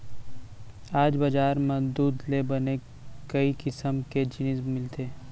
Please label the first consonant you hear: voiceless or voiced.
voiced